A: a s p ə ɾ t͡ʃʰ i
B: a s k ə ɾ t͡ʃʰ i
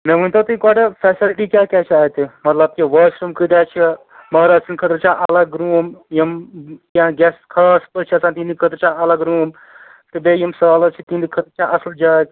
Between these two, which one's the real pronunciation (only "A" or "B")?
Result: A